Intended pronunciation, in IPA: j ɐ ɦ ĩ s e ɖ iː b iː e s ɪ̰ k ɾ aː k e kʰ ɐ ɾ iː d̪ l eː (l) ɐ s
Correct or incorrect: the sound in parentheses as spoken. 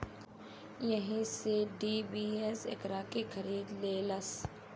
correct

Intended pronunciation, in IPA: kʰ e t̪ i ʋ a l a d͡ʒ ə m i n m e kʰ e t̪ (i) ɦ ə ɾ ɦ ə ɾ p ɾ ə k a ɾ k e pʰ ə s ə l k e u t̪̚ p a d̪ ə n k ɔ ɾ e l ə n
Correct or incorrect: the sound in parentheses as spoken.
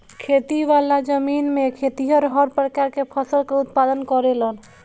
correct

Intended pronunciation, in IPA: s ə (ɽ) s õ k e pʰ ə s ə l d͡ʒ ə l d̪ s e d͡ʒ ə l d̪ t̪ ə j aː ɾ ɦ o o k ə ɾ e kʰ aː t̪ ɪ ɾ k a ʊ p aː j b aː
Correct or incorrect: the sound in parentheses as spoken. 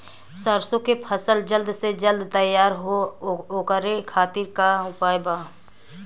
incorrect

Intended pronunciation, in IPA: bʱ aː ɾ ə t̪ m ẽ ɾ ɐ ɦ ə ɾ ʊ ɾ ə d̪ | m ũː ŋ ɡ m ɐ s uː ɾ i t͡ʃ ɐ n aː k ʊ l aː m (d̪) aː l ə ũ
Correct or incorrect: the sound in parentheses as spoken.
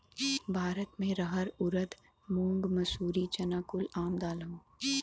correct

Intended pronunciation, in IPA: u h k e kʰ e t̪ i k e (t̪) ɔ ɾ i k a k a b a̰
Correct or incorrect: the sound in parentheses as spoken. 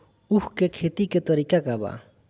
correct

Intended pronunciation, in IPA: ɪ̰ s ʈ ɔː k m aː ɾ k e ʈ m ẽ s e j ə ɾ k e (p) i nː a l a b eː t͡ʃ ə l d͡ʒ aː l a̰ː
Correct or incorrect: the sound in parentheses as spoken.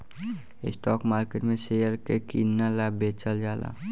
incorrect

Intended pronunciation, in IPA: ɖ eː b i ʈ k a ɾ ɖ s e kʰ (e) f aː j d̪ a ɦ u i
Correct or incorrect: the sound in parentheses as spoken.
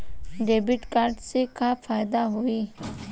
incorrect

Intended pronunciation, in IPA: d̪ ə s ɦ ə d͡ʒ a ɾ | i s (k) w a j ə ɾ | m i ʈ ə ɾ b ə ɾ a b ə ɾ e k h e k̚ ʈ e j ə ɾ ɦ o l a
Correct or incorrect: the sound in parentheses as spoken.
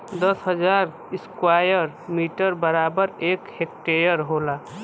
correct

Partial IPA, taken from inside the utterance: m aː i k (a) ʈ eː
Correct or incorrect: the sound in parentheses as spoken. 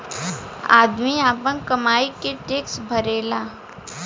incorrect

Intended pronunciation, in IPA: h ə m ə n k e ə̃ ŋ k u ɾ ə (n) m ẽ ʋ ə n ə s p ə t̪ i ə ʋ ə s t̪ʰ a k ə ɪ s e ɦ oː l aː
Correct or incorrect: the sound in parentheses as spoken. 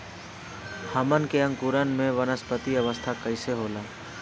correct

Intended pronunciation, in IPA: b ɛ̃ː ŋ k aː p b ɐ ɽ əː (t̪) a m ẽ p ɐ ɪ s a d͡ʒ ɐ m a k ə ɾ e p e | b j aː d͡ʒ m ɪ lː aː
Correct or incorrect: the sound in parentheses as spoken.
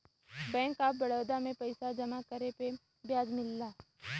incorrect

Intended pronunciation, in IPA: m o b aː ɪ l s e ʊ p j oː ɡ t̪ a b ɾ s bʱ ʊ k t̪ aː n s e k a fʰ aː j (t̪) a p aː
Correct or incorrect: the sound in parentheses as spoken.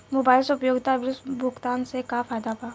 incorrect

